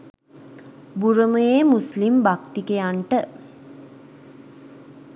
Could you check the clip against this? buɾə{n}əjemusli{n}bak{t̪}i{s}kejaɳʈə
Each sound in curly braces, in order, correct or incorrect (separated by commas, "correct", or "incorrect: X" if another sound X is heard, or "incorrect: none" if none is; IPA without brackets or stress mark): incorrect: m, incorrect: m, correct, incorrect: none